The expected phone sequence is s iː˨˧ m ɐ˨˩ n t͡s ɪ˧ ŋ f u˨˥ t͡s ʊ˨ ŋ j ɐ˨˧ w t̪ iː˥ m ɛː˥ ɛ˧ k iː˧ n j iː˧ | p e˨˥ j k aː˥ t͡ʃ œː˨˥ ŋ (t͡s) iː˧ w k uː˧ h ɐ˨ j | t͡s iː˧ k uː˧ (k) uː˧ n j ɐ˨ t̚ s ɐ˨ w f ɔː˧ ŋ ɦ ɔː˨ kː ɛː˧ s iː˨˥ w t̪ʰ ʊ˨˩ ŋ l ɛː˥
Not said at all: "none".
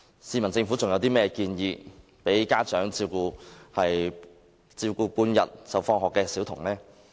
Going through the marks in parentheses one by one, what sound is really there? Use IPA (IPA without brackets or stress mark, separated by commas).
t͡s, p